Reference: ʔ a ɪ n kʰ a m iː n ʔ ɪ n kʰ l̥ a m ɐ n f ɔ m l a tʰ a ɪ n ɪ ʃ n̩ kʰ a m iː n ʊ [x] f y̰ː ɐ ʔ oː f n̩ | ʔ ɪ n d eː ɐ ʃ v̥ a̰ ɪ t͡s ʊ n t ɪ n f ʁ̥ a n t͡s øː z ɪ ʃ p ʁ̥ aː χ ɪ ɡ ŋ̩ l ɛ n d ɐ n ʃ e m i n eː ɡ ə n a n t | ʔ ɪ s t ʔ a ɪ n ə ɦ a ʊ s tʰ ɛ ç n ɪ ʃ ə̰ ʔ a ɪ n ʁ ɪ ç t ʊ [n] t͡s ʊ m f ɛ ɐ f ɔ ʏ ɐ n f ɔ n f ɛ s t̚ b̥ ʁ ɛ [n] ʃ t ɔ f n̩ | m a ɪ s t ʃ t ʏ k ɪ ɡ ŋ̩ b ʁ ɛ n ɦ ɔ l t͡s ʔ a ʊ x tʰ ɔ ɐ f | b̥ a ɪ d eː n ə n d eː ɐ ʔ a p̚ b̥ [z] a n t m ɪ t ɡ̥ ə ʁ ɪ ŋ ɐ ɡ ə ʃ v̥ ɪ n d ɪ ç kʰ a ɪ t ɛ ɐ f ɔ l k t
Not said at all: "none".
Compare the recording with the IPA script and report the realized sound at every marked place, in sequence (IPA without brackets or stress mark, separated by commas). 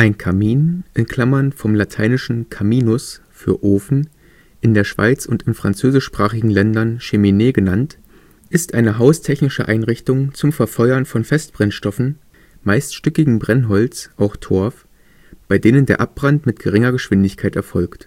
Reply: s, ŋ, n, ʁ